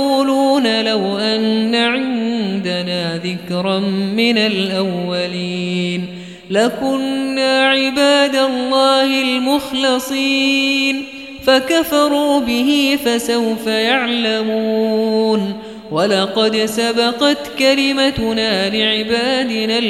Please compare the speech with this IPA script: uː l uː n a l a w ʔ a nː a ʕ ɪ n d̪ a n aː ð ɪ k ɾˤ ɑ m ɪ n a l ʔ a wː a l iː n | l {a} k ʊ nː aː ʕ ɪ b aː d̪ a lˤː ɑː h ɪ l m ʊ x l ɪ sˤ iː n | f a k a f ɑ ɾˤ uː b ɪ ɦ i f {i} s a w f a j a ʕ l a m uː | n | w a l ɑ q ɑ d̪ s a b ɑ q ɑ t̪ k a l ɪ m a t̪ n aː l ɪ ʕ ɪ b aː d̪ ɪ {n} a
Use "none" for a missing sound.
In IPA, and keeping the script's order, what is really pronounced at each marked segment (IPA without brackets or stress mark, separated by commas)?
a, a, n